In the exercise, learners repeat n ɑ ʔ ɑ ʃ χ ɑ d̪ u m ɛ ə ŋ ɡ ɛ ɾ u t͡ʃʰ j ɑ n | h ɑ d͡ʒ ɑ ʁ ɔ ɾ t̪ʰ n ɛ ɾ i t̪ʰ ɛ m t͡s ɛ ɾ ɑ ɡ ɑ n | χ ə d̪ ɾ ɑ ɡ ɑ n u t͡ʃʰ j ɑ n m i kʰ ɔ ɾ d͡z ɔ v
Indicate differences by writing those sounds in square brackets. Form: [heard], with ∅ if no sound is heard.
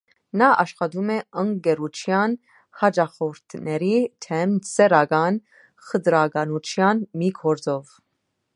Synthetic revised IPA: n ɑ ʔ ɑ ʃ χ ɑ d̪ u m ɛ ə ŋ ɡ ɛ ɾ u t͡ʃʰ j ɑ n | h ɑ d͡ʒ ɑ [χ] ɔ ɾ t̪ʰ n ɛ ɾ i t̪ʰ ɛ m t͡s ɛ ɾ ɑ ɡ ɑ n | χ ə d̪ ɾ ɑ ɡ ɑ n u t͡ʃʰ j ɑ n m i kʰ ɔ ɾ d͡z ɔ v